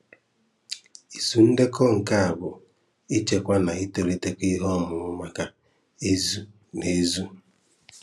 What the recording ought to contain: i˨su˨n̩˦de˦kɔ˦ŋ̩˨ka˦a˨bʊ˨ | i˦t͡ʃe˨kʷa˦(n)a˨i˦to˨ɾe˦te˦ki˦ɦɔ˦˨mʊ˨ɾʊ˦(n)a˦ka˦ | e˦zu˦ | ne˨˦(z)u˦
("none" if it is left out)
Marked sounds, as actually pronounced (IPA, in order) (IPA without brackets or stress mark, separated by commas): n, m, z